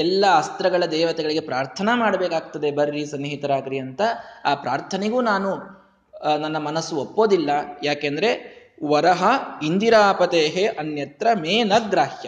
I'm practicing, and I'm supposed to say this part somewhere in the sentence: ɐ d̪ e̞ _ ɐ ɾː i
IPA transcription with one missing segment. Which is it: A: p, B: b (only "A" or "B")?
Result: B